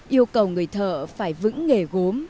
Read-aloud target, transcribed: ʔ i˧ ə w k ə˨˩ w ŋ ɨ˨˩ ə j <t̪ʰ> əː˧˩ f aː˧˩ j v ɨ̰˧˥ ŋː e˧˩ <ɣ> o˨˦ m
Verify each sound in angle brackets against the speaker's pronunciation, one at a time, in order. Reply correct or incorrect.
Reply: correct, correct

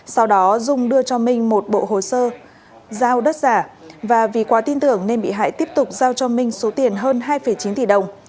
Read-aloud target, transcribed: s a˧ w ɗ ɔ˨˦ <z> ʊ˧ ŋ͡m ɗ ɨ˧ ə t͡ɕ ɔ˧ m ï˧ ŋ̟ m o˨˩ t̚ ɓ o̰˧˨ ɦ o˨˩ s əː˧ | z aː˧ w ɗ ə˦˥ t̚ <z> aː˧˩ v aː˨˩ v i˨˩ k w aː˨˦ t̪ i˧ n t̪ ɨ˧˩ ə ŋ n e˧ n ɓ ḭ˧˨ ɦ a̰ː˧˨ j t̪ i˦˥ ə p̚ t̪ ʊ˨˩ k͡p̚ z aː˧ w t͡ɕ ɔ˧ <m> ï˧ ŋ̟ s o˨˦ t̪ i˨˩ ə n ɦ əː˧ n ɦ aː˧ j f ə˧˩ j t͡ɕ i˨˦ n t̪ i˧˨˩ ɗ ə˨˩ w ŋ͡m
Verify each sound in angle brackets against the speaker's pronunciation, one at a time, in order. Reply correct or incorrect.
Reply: correct, correct, correct

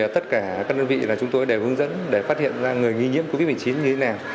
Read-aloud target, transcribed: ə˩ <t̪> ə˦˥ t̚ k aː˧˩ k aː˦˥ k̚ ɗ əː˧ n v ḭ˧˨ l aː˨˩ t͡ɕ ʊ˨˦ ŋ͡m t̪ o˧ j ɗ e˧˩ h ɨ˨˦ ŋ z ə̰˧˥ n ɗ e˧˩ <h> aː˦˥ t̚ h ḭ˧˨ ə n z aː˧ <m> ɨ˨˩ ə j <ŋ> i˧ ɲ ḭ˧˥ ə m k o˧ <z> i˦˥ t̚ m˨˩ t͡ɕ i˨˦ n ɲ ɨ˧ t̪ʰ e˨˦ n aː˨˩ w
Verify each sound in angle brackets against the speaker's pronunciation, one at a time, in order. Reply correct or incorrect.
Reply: correct, incorrect, incorrect, correct, incorrect

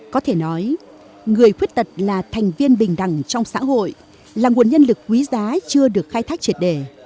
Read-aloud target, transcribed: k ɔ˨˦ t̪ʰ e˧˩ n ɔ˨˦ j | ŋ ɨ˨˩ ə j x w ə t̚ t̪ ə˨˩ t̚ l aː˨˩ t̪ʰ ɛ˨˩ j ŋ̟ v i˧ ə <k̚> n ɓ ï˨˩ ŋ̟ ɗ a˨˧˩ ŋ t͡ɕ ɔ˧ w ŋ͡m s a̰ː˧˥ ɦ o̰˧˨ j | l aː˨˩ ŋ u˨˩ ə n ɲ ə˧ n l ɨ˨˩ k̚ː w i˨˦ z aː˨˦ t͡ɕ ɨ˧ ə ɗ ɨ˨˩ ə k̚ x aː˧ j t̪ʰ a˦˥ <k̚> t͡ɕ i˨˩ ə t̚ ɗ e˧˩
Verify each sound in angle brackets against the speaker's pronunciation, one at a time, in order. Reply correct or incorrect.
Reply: incorrect, correct

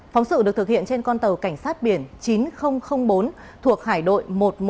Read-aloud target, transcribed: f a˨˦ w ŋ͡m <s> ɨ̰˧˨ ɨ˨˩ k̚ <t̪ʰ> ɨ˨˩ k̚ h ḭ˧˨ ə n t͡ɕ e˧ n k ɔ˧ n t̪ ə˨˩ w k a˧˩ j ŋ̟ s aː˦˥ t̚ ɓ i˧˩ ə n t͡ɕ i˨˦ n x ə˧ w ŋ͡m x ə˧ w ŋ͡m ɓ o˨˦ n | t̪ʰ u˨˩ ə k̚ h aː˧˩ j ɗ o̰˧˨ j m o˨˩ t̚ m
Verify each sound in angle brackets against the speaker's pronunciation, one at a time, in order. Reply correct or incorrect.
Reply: correct, incorrect

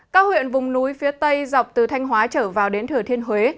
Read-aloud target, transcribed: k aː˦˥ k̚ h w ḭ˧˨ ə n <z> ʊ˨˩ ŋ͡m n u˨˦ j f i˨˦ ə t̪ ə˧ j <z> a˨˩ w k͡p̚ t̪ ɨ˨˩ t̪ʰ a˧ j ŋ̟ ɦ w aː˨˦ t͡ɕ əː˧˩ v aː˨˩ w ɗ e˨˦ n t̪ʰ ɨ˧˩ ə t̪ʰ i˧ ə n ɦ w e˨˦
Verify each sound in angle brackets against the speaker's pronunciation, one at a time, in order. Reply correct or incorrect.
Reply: incorrect, correct

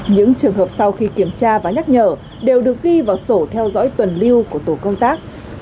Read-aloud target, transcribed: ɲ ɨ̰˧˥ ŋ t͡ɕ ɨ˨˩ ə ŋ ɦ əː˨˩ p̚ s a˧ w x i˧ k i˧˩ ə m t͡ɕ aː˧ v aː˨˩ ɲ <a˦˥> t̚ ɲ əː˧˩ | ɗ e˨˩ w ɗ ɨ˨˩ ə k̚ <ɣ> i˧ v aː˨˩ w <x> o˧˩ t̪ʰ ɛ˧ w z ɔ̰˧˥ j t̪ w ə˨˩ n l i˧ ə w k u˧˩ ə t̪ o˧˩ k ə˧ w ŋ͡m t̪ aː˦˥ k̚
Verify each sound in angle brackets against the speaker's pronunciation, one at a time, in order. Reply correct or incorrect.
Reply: correct, correct, incorrect

